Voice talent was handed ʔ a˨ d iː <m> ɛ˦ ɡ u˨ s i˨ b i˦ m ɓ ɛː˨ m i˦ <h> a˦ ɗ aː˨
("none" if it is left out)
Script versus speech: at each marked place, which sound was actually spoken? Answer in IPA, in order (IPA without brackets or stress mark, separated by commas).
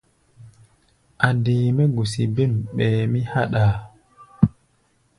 m, h